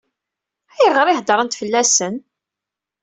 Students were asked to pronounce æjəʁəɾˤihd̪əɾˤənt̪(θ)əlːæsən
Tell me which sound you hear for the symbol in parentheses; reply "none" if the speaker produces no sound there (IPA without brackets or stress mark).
f